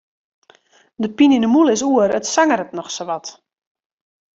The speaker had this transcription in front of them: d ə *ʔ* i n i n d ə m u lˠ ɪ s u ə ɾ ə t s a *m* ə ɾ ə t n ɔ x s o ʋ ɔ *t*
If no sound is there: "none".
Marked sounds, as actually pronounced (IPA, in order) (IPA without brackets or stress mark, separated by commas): p, ŋ, t